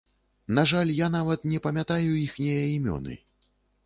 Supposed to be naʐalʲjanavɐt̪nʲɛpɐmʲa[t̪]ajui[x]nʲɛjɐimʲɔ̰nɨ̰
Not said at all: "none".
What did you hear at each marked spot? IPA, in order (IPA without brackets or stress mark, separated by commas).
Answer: t̪, x